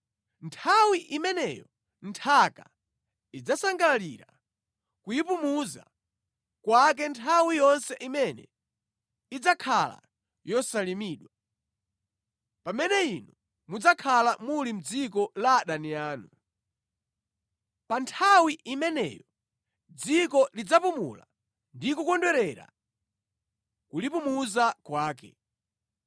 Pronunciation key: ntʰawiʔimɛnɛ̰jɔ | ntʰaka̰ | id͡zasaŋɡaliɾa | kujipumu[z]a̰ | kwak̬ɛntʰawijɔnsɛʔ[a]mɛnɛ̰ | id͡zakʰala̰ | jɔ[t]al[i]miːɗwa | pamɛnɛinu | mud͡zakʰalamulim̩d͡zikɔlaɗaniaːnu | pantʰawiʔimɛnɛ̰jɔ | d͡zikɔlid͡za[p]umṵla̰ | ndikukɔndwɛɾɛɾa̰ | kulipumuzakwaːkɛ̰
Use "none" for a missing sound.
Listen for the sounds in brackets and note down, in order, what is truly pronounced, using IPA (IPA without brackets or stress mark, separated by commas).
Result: z, i, s, i, p